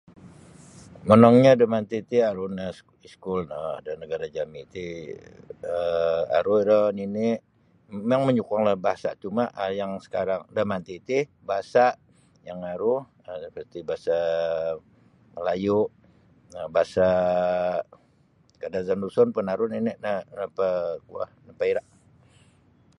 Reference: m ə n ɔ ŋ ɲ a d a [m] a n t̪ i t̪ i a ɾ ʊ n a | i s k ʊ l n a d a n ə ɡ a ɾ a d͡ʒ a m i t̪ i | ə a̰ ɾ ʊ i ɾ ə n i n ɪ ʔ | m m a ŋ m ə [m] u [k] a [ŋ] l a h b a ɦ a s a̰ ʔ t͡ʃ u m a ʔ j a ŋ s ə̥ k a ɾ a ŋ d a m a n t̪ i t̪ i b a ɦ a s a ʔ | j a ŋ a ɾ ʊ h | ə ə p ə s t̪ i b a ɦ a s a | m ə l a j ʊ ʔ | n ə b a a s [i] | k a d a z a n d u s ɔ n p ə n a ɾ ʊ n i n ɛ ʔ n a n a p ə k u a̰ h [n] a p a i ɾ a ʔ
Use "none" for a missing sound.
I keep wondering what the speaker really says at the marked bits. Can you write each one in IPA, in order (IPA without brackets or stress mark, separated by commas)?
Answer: m, ɲ, k, ŋ, a, n